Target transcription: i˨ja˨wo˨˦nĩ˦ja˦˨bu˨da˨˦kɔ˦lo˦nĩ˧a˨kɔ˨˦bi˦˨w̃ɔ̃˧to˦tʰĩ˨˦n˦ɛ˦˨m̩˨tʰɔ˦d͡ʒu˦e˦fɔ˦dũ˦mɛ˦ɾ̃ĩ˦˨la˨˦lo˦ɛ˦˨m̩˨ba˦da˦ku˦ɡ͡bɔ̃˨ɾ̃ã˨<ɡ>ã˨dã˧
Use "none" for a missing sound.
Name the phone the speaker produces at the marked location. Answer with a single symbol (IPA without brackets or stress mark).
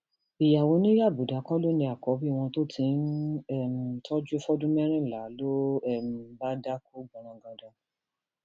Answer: ɡ